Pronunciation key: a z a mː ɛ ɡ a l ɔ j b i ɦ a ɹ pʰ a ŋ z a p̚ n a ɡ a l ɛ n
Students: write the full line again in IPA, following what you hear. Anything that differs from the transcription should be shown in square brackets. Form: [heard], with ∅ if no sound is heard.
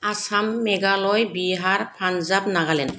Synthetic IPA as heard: a [s] a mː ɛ ɡ a l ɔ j b i ɦ a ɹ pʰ a [n] z a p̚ n a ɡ a l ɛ n